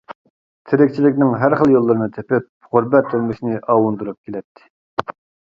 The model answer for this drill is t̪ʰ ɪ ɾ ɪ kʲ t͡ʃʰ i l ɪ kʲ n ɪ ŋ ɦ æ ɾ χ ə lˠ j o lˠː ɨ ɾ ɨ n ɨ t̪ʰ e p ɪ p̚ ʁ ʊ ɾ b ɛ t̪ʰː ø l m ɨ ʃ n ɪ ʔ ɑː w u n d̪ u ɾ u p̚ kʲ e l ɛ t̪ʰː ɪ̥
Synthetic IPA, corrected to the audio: t̪ʰ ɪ ɾ ɪ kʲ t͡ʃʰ i l ɪ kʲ n ɪ ŋ ɦ æ ɾ χ ə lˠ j o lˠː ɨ ɾ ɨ n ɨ t̪ʰ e p ɪ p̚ ʁ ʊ ɾ b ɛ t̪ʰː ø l m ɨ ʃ n ɪ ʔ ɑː w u n d̪ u ɾ u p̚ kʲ e l ɛ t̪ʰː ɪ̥